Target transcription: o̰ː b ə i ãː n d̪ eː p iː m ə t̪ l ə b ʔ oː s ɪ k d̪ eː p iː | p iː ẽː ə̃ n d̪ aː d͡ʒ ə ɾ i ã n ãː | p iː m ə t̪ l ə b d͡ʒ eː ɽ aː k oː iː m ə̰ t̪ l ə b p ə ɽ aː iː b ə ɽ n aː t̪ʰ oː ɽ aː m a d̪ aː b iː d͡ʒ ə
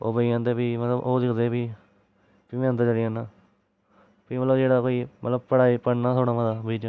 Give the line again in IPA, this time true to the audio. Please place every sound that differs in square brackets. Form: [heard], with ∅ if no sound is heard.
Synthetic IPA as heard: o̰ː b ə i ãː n d̪ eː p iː m ə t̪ l ə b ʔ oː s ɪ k d̪ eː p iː | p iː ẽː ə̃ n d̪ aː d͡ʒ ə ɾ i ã n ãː | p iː m ə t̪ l ə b d͡ʒ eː ɽ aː k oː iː m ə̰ t̪ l ə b p ə ɽ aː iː [p] ə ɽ n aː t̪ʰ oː ɽ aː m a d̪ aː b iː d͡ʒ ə